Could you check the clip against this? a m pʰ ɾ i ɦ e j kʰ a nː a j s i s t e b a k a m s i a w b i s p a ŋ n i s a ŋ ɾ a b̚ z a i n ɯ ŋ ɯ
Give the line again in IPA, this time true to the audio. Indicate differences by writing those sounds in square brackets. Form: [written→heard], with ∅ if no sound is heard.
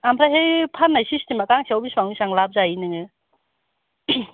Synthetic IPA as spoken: a m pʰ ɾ [i→a] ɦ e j [kʰ→pʰ] a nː a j s i s t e [b→m] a k a [m→ŋ] s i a w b i s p a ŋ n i s a ŋ [ɾ→l] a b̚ z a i n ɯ ŋ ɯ